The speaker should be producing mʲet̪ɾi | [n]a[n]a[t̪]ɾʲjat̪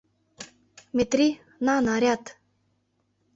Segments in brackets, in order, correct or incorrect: correct, correct, incorrect

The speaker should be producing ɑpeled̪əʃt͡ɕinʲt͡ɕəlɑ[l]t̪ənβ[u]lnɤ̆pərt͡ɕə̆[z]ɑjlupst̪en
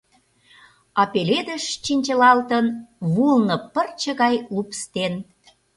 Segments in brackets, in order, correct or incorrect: correct, correct, incorrect

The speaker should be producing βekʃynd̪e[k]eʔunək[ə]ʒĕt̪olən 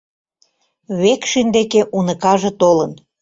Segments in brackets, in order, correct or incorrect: correct, incorrect

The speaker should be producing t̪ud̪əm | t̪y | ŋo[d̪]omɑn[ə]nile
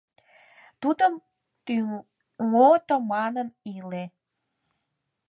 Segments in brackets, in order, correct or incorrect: incorrect, correct

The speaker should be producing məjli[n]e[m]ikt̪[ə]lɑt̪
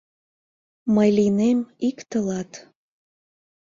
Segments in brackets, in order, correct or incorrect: correct, correct, correct

